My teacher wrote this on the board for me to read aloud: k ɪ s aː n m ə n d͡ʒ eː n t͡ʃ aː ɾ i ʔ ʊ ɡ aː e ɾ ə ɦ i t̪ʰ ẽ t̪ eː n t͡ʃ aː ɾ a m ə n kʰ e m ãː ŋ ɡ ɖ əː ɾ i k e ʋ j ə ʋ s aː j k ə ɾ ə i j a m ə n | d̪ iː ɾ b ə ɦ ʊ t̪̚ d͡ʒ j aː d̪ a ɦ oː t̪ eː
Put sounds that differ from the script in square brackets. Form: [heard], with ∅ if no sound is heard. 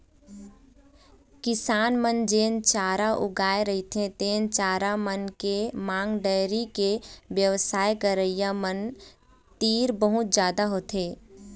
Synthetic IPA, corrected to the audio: k ɪ s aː n m ə n d͡ʒ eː n t͡ʃ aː ɾ [a] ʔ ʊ ɡ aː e ɾ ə ɦ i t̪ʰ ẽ t̪ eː n t͡ʃ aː ɾ a m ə n [k] e m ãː ŋ ɡ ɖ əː ɾ i k e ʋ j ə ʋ s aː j k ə ɾ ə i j a m ə n | [t̪] iː ɾ b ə ɦ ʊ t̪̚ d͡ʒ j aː d̪ a ɦ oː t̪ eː